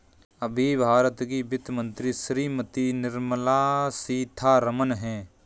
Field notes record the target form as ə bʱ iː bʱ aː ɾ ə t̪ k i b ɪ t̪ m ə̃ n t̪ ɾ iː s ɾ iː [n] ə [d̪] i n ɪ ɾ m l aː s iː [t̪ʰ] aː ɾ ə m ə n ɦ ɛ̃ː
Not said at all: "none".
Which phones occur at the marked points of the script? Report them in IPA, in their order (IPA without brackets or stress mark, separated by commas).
m, t̪, t̪ʰ